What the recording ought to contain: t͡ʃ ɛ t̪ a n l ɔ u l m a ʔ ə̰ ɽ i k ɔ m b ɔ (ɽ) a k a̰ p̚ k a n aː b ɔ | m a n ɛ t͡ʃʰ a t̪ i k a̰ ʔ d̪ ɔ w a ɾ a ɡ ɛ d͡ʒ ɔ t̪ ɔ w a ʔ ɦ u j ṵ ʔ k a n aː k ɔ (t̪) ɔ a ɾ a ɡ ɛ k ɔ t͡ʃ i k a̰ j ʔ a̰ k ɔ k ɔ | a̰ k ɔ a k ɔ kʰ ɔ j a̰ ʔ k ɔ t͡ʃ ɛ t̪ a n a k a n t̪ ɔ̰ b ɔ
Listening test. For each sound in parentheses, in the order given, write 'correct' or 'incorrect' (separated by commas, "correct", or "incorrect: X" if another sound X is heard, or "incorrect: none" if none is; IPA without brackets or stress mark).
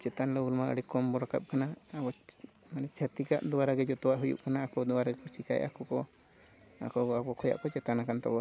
incorrect: ɾ, incorrect: d̪